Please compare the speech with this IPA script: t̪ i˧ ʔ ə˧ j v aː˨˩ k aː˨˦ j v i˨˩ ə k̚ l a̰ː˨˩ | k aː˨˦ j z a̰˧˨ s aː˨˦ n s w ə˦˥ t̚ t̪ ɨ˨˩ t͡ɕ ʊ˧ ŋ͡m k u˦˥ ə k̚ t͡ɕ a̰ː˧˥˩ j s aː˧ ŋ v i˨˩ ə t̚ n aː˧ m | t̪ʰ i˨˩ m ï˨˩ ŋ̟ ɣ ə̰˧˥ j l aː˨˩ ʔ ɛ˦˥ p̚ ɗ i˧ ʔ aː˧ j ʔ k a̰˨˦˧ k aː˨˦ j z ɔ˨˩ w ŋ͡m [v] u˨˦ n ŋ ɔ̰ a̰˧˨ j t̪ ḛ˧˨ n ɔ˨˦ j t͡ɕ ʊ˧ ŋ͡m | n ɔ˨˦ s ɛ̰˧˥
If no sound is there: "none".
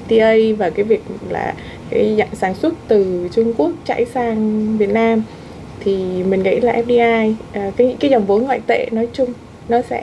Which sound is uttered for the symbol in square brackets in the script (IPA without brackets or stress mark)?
v